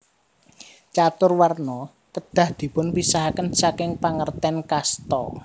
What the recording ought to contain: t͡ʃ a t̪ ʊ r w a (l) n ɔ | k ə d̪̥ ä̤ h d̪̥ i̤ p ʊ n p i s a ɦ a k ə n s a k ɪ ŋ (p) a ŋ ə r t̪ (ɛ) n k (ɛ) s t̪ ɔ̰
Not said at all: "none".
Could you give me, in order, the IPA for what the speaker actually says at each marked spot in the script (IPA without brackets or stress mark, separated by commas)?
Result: r, p, ɛ, a